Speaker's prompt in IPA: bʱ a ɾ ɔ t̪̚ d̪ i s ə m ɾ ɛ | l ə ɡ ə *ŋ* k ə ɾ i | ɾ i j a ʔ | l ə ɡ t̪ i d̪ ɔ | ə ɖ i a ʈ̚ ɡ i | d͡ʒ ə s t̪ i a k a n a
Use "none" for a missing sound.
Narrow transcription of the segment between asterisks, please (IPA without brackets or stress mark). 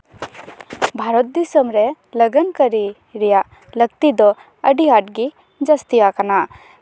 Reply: n